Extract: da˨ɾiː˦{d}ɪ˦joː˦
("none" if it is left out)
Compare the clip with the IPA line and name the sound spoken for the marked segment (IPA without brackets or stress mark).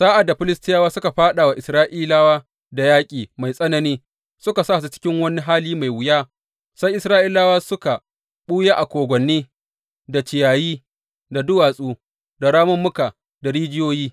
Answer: d͡ʒ